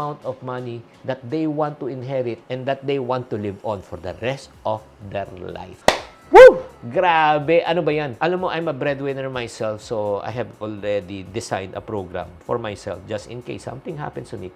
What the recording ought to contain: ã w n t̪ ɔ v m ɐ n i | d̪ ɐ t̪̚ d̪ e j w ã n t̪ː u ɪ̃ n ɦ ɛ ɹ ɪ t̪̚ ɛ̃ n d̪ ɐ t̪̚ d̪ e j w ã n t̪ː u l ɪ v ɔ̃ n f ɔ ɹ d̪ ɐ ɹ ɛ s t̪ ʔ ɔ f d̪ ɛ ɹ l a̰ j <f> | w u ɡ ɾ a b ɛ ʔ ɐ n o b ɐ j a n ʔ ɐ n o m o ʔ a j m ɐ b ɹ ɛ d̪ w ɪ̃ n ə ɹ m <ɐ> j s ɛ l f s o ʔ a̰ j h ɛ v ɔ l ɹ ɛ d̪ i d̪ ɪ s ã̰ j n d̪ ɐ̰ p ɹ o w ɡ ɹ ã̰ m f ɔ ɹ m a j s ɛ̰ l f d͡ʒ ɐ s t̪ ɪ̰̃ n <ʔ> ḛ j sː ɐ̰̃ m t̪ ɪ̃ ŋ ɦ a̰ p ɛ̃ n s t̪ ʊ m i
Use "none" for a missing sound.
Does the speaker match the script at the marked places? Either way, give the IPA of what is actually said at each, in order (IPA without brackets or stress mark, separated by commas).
f, a, k